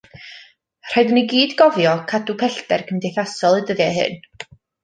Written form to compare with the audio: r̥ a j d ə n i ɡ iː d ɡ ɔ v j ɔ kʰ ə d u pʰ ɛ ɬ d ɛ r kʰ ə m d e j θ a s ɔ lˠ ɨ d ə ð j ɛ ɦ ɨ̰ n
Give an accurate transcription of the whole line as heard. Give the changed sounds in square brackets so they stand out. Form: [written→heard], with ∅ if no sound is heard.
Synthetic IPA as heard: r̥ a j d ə n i ɡ iː d ɡ ɔ v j ɔ kʰ [ə→a] d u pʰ ɛ ɬ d ɛ r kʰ ə m d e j θ a s ɔ lˠ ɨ d ə ð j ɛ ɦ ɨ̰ n

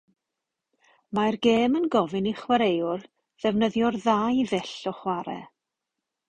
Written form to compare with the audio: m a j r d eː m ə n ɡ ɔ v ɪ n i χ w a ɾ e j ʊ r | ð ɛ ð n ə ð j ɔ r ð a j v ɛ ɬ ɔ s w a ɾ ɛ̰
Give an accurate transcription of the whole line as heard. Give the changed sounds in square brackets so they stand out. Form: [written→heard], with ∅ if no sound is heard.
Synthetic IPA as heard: m a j r [d→ɡ] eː m ə n ɡ ɔ v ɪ n i χ w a ɾ e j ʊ r | ð ɛ [ð→v] n ə ð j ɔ r ð a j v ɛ ɬ ɔ [s→χ] w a ɾ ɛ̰

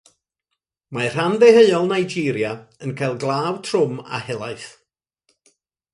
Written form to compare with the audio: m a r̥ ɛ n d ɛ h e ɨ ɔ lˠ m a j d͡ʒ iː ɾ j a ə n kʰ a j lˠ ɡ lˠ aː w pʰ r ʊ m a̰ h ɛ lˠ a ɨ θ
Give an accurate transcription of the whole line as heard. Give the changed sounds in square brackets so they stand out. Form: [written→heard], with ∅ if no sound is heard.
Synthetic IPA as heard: m a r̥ [ɛ→a] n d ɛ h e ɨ ɔ lˠ [m→n] a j d͡ʒ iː ɾ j a ə n kʰ a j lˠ ɡ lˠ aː w [pʰ→tʰ] r ʊ m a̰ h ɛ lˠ a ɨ θ

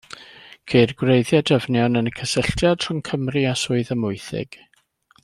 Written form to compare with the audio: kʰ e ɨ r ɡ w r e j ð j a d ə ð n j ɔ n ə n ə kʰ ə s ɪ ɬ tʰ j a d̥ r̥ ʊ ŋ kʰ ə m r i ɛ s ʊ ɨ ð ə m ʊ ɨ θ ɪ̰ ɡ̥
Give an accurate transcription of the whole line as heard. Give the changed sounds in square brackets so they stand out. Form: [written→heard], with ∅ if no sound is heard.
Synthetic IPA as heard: kʰ e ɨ r ɡ w r e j ð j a d ə [ð→v] n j ɔ n ə n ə kʰ ə s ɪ ɬ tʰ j a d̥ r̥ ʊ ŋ kʰ ə m r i [ɛ→a] s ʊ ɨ ð ə m ʊ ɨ θ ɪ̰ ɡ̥

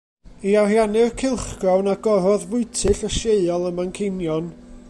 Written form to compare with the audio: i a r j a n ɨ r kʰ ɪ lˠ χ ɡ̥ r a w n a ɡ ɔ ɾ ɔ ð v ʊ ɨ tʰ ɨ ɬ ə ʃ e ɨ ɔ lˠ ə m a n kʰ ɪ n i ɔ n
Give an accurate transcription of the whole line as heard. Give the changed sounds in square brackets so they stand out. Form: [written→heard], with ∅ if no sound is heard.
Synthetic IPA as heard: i a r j a n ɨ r kʰ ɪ lˠ χ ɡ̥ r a w n a ɡ ɔ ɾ ɔ ð v ʊ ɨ tʰ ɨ ɬ ə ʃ e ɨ ɔ lˠ ə m a n kʰ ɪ n [i→j] ɔ n

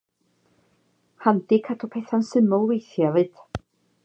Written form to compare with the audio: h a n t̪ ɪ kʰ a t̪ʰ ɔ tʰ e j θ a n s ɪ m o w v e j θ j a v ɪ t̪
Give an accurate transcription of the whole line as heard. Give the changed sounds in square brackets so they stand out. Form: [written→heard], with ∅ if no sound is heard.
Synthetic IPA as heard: h a n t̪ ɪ kʰ a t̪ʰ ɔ [tʰ→pʰ] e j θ a n s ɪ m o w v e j θ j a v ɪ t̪

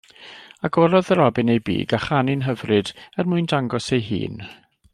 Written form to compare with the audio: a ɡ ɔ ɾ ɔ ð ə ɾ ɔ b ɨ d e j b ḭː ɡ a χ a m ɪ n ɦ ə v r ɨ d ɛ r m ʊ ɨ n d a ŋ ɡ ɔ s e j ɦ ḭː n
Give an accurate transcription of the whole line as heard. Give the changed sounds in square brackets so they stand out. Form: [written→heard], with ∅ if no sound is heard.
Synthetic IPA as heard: a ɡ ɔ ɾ ɔ ð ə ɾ ɔ b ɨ [d→n] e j b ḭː ɡ a χ a [m→n] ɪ n ɦ ə v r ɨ d ɛ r m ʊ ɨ n d a ŋ ɡ ɔ s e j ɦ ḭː n

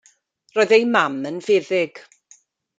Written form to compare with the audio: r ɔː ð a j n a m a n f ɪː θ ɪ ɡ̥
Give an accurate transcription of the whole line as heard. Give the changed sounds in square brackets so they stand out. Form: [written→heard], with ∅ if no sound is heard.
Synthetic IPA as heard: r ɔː ð [a→e] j [n→m] a m [a→ə] n [f→v] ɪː [θ→ð] ɪ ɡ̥

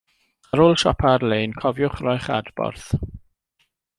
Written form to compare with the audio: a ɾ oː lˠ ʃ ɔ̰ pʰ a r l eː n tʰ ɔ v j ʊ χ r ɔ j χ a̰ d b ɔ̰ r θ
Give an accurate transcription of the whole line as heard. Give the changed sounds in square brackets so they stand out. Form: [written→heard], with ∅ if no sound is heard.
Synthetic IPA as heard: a ɾ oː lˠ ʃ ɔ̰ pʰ a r l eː n [tʰ→kʰ] ɔ v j ʊ χ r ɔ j χ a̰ d b ɔ̰ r θ

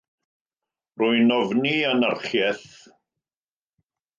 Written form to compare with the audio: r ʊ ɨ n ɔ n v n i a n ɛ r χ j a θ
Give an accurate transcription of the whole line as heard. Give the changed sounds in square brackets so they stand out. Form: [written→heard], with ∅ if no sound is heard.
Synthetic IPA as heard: r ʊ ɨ n ɔ [n→∅] v n i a n [ɛ→a] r χ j [a→ɛ] θ

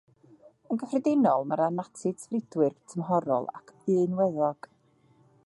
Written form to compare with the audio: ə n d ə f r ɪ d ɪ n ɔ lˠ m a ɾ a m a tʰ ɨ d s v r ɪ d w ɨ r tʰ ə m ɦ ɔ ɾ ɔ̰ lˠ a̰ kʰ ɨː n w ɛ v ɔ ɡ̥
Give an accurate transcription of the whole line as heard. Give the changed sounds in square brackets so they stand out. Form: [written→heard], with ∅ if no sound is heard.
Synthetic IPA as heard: ə n [d→ɡ] ə f r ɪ d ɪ n ɔ lˠ m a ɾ a [m→n] a tʰ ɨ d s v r ɪ d w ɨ r tʰ ə m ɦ ɔ ɾ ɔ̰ lˠ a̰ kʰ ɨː n w ɛ [v→ð] ɔ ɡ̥

